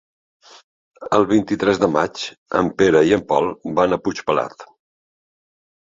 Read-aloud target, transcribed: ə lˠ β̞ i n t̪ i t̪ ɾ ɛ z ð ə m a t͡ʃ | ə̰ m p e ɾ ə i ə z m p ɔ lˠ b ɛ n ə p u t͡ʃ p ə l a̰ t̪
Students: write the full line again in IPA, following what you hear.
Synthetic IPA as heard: ə lˠ β̞ i n t̪ i t̪ ɾ ɛ z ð ə m a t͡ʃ | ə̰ m p e ɾ ə i ə m p ɔ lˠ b a n ə p u t͡ʃ p ə l a̰ t̪